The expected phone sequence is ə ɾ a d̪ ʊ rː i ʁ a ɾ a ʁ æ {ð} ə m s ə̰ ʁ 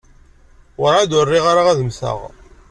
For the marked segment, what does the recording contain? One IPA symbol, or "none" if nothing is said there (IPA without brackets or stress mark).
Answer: ð